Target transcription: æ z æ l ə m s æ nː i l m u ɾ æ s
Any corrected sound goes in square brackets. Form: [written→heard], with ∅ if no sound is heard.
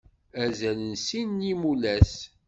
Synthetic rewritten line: æ z æ l ə [m→n] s [æ→i] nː i [l→∅] m u [ɾ→l] æ s